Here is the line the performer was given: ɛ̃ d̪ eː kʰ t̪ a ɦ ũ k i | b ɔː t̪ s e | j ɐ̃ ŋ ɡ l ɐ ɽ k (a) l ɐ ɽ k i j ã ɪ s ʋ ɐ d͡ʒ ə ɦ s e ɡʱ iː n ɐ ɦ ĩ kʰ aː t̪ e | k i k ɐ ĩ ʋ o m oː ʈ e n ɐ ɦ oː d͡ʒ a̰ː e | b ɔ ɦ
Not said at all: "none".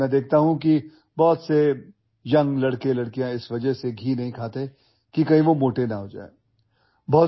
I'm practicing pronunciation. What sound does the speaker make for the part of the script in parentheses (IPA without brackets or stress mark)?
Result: e